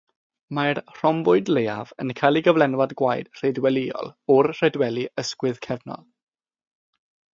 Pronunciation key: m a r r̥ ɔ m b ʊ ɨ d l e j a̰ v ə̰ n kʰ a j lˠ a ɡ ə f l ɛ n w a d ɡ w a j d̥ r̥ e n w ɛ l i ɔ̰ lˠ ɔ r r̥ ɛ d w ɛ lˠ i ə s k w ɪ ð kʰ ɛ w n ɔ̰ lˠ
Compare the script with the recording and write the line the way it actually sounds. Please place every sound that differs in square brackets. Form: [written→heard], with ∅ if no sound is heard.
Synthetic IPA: m a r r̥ ɔ m b ʊ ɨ d l e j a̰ v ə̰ n kʰ a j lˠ [a→i] ɡ ə [f→v] l ɛ n w a d ɡ w a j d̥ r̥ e [n→d] w ɛ l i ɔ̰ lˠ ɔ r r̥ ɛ d w ɛ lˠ i ə s k w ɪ ð kʰ ɛ [w→v] n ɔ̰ lˠ

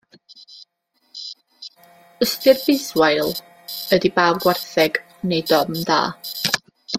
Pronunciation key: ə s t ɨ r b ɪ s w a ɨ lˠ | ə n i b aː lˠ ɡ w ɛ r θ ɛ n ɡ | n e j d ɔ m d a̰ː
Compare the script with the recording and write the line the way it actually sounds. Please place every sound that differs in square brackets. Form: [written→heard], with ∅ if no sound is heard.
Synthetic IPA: ə s t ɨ r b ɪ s w a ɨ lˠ | ə [n→d] i b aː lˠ ɡ w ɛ r θ ɛ [n→∅] ɡ | n e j d ɔ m d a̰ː

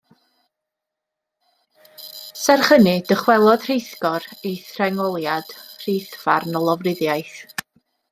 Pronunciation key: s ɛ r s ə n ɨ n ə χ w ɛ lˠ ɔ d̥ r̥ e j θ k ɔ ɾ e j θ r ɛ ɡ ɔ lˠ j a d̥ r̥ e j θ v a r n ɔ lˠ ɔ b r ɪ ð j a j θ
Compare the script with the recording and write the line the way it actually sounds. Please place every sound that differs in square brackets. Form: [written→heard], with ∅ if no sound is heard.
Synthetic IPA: s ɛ r [s→χ] ə n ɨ [n→d] ə χ w ɛ lˠ ɔ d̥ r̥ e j θ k ɔ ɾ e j θ r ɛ [ɡ→ŋ] ɔ lˠ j a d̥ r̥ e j θ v a r n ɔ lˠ ɔ [b→v] r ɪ ð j a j θ

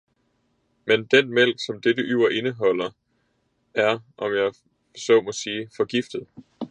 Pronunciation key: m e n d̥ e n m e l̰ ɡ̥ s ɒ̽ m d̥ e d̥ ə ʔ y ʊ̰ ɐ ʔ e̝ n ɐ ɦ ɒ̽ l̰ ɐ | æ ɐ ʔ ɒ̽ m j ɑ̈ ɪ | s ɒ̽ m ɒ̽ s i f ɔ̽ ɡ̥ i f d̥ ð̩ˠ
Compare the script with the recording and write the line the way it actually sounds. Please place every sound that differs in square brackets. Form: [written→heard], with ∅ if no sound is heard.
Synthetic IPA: m e n d̥ e n m e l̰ ɡ̥ s ɒ̽ m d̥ e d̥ ə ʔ y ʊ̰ ɐ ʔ e̝ n [ɐ→ə] ɦ ɒ̽ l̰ ɐ | æ ɐ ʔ ɒ̽ m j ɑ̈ ɪ | s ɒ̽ m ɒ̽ s [i→iː] f [ɔ̽→ɒ̽] ɡ̥ i f d̥ ð̩ˠ

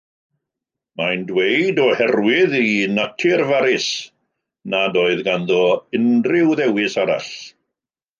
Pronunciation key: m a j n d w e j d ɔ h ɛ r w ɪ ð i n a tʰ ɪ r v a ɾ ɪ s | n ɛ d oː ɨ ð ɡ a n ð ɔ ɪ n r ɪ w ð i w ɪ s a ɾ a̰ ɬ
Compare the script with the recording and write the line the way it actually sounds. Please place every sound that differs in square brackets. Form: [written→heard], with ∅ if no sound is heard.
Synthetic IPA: m a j n d w e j d ɔ h ɛ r w ɪ ð i n a tʰ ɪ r v a ɾ ɪ s | n [ɛ→a] d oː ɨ ð ɡ a n ð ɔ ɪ n r ɪ w ð [i→ɛ] w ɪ s a ɾ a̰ ɬ

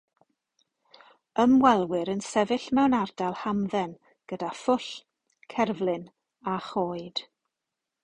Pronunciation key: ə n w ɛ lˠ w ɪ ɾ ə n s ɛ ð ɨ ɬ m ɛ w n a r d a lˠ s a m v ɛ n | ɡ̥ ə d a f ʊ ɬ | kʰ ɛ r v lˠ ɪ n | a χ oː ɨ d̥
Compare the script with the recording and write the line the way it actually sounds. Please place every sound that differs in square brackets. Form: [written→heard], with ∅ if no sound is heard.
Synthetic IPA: ə [n→m] w ɛ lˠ w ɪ ɾ ə n s ɛ [ð→v] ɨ ɬ m ɛ w n a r d a lˠ [s→h] a m [v→ð] ɛ n | ɡ̥ ə d a f ʊ ɬ | kʰ ɛ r v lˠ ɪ n | a χ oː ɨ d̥

